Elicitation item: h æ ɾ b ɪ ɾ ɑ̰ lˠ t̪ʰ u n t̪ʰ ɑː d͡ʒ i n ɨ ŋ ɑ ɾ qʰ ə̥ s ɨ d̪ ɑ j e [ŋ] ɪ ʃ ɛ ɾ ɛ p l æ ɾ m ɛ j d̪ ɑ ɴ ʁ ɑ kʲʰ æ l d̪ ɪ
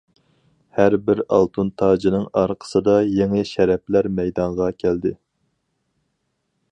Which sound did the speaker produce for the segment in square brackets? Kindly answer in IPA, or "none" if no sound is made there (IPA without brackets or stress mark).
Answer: ŋ